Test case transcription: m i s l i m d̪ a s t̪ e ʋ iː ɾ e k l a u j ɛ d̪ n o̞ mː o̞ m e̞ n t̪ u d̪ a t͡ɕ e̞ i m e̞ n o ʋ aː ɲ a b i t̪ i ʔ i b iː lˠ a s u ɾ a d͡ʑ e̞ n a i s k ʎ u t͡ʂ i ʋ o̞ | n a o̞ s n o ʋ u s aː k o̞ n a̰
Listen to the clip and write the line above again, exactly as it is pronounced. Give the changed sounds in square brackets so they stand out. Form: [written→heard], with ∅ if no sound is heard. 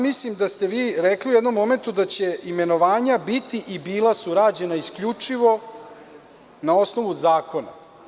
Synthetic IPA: m i s l i m d̪ a s t̪ e ʋ iː ɾ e k l [a→i] u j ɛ d̪ n o̞ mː o̞ m e̞ n t̪ u d̪ a t͡ɕ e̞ i m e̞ n o ʋ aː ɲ a b i t̪ i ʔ i b iː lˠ a s u ɾ a d͡ʑ e̞ n a i s k ʎ u t͡ʂ i ʋ o̞ | n a o̞ s n o ʋ u [s→z] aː k o̞ n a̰